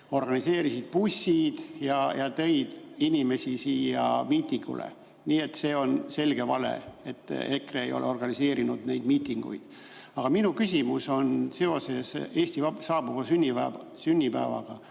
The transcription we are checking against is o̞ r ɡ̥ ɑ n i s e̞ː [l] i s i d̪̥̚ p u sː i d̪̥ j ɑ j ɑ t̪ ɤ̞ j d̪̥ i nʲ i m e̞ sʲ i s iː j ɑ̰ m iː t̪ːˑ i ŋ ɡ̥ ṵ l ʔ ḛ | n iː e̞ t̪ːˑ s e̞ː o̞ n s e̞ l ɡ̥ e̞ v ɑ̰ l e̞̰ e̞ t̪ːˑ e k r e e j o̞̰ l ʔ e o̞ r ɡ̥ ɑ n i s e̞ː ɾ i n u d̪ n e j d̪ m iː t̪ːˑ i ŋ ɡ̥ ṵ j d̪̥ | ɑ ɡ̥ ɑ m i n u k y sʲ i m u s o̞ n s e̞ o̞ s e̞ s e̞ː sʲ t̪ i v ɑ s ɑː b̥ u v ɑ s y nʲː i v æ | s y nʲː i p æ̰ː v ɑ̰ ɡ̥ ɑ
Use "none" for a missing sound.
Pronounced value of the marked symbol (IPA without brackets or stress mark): ɾ